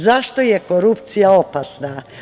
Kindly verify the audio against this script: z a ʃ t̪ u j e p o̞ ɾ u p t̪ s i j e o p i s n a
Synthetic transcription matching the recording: z a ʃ t̪ o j e k o̞ ɾ u p t̪ s i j a o p a s n a